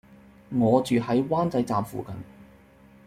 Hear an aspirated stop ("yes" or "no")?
no